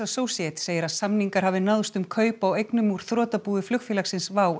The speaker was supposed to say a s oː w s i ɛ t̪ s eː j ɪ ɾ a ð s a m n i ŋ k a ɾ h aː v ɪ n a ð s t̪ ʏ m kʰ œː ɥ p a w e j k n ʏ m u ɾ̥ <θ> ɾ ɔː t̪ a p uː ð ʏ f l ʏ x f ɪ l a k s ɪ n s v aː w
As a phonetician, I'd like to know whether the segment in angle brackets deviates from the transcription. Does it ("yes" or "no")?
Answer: no